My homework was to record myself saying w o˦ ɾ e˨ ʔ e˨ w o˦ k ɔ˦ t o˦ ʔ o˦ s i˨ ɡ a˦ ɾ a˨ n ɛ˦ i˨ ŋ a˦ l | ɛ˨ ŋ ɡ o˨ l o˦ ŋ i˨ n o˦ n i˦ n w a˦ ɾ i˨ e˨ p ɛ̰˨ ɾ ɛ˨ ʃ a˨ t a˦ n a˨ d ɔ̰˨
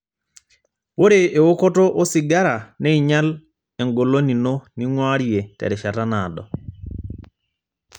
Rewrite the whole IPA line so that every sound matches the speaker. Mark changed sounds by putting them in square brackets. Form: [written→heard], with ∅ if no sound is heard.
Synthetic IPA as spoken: w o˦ ɾ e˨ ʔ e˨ w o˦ k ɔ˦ t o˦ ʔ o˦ s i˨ ɡ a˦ ɾ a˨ n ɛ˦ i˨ [ŋ→ɲ] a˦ l | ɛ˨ ŋ ɡ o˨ l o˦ [ŋ→n] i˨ n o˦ n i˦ [n→ŋ] w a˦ ɾ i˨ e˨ [p→t] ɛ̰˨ ɾ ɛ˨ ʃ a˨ t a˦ n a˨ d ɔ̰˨